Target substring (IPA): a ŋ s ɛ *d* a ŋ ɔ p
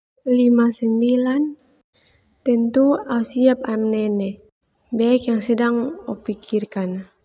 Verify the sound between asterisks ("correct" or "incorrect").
correct